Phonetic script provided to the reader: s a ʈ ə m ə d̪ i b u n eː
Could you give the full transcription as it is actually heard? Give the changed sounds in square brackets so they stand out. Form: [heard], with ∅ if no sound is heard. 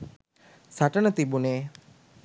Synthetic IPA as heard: s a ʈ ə [n] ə [t̪] i b u n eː